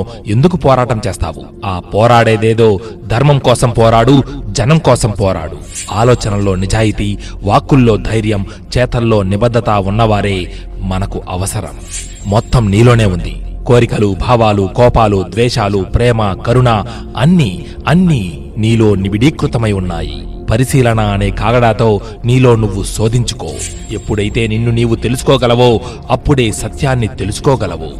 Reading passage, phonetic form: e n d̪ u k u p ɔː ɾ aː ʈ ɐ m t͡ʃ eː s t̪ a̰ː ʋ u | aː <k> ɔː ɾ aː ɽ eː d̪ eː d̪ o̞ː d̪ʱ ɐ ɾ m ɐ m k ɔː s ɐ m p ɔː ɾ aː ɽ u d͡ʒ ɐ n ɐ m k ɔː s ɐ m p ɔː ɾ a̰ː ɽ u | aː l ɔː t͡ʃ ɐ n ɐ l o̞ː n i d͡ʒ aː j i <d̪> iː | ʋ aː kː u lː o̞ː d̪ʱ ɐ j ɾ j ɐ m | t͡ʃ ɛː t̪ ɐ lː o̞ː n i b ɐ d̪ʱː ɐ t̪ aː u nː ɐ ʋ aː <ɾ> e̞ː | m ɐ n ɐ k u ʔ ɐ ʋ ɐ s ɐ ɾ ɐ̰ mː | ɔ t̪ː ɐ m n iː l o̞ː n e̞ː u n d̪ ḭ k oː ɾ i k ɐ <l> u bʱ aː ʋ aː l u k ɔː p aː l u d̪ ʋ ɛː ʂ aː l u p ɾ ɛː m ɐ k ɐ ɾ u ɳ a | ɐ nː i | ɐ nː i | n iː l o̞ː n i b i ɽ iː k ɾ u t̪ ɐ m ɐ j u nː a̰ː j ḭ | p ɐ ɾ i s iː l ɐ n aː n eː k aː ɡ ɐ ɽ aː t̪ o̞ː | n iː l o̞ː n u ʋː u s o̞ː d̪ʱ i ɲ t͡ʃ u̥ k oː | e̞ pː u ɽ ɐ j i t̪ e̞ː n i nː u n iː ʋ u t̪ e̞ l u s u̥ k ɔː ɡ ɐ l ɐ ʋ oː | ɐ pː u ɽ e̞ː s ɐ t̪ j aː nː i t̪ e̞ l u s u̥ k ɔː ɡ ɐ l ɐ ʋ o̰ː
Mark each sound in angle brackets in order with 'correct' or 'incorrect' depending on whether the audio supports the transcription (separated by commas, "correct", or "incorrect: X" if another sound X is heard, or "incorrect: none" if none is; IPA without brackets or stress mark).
incorrect: p, incorrect: t̪, correct, correct